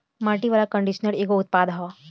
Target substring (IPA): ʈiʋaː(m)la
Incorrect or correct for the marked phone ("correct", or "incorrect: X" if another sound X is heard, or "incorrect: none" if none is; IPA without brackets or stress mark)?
incorrect: none